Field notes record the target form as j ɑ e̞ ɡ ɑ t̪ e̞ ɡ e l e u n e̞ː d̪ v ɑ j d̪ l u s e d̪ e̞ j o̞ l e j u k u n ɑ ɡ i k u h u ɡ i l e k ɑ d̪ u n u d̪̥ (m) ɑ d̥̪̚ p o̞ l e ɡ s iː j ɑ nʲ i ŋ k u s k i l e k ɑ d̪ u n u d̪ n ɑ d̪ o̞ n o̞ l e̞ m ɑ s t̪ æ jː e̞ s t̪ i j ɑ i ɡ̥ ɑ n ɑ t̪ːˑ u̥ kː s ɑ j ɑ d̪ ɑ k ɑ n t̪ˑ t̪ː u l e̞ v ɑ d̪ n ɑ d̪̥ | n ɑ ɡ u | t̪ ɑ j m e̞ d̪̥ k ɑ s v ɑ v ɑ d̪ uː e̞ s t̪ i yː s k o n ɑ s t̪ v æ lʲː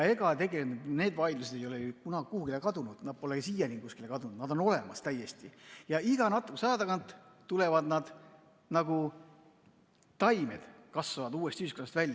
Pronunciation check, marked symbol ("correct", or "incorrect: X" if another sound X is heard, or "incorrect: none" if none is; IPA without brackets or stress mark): incorrect: n